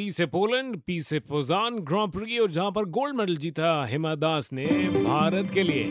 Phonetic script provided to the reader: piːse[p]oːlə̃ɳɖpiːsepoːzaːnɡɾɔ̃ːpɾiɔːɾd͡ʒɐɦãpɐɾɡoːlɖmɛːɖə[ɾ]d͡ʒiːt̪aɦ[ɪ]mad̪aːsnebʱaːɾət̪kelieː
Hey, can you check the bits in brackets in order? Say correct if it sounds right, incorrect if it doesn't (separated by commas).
correct, incorrect, correct